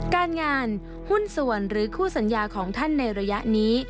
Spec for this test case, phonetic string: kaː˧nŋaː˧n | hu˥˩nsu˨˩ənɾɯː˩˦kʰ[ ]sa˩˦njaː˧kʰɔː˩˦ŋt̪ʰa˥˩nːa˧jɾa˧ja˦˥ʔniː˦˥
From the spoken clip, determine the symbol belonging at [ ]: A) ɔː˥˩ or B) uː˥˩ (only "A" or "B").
B